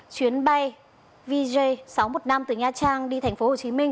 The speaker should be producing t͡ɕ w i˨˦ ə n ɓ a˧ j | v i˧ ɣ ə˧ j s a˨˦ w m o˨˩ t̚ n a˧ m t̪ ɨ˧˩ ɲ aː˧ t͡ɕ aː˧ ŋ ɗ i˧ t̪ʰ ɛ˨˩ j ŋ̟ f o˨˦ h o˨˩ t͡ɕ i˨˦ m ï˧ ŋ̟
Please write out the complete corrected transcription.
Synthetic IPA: t͡ɕ w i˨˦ ə n ɓ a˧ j | v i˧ z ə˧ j s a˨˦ w m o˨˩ t̚ n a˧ m t̪ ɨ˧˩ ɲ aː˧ t͡ɕ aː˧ ŋ ɗ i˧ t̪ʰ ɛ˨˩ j ŋ̟ f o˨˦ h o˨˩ t͡ɕ i˨˦ m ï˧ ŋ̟